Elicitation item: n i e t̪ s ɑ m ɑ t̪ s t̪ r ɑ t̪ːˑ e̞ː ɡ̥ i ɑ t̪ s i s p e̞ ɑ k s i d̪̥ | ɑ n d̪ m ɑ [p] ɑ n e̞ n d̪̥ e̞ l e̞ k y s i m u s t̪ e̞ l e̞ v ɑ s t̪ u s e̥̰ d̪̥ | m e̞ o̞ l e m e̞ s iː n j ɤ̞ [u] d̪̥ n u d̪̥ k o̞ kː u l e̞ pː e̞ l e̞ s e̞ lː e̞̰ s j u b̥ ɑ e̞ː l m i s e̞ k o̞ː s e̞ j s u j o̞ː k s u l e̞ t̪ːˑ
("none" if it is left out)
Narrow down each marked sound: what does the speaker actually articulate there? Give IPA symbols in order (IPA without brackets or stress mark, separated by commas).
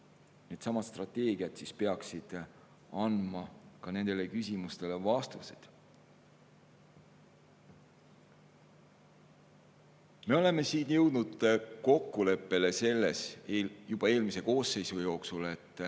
k, w